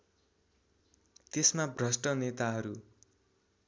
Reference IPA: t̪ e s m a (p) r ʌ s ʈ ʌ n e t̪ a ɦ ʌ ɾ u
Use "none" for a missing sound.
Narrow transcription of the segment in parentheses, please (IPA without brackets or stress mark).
b